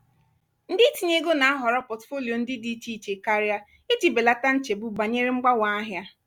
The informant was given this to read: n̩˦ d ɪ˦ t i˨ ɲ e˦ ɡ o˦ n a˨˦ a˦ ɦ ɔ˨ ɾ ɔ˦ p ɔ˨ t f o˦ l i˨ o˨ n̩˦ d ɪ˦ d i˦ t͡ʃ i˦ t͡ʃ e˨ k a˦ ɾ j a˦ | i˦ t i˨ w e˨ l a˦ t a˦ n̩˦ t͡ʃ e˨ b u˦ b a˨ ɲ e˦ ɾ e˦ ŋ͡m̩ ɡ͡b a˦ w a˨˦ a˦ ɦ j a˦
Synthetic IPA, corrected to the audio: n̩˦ d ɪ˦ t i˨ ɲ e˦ ɡ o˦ n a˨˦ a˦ ɦ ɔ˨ ɾ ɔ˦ p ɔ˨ t f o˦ l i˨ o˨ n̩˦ d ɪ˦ d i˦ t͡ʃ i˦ t͡ʃ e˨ k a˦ ɾ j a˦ | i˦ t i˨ b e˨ l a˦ t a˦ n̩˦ t͡ʃ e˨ b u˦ b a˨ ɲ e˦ ɾ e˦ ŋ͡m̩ ɡ͡b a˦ w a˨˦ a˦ ɦ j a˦